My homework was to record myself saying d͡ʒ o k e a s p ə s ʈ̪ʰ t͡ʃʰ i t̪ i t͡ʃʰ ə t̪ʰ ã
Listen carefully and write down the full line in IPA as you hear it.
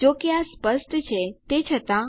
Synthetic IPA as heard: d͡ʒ o k e a s p ə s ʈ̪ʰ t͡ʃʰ e t̪ e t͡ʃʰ ə t̪ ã

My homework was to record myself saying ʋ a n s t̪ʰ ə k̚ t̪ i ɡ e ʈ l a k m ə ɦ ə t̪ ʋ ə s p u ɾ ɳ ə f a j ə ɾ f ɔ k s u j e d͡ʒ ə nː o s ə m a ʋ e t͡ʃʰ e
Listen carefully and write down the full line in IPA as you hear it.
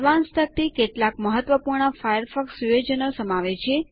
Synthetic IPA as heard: ʋ a n s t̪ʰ ə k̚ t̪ i k e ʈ l a k m ə ɦ ə t̪ ʋ ə p u ɾ ɳ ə f a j ə ɾ f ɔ k s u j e d͡ʒ ə n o s ə m a ʋ e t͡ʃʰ e

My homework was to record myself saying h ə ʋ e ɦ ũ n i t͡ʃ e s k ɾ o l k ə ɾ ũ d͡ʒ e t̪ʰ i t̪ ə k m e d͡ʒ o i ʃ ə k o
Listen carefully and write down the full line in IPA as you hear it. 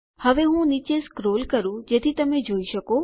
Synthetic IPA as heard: h ə ʋ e ɦ ũ n i t͡ʃ e s k ɾ o l k ə ɾ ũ d͡ʒ e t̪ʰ i t̪ ə m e d͡ʒ o i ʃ ə k o

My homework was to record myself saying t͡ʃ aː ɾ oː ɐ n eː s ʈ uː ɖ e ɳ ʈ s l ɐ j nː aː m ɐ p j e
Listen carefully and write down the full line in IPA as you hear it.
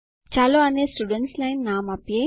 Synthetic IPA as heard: t͡ʃ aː l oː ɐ n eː s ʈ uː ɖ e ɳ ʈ s l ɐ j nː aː m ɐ p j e

